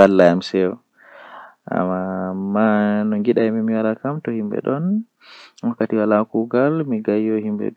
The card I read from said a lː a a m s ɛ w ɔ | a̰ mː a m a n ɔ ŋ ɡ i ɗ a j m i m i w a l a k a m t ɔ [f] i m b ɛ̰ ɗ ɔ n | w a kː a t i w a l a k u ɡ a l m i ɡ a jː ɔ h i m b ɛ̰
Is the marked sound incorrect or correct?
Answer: incorrect